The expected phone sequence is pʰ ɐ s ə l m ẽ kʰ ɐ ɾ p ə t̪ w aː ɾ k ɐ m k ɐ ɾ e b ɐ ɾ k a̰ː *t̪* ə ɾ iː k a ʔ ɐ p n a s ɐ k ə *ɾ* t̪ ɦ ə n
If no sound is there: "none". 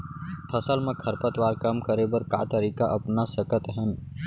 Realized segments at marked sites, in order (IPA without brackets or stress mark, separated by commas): t̪, none